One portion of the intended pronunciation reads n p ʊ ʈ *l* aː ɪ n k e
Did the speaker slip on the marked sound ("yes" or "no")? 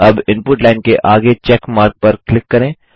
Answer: no